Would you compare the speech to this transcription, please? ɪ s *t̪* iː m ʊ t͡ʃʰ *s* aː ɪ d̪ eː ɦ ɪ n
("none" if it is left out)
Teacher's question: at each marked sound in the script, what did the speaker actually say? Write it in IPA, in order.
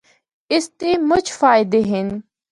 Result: t̪, f

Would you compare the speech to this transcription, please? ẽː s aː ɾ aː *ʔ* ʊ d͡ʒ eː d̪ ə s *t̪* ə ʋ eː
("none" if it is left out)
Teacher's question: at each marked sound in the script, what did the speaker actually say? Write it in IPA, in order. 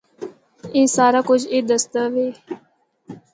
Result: k, t̪

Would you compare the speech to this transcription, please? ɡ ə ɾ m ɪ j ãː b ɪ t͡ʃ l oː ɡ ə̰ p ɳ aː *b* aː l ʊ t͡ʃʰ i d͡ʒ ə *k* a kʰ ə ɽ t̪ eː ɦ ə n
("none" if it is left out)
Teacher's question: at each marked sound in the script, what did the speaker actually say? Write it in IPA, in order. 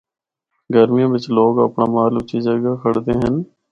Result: m, ɡ

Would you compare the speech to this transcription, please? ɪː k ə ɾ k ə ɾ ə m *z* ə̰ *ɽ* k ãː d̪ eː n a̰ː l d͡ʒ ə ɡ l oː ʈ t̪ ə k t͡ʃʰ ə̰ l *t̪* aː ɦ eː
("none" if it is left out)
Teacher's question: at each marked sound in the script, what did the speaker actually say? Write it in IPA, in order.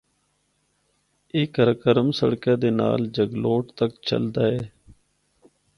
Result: s, ɽ, d̪

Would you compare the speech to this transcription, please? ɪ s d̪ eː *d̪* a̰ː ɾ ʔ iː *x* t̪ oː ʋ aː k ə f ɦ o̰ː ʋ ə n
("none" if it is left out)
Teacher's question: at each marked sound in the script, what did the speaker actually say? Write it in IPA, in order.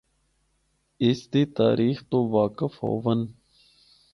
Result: t̪, x

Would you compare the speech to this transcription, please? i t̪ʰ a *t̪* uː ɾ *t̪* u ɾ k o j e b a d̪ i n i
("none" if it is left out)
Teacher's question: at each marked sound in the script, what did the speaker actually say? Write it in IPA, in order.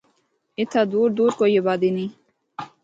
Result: d̪, d̪

